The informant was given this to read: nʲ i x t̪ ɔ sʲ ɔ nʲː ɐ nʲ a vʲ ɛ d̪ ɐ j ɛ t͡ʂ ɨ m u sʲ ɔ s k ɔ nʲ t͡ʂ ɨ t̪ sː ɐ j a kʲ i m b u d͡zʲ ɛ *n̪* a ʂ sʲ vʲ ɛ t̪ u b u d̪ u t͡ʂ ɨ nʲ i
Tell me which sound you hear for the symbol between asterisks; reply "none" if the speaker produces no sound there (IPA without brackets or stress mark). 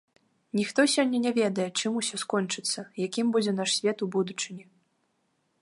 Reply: n̪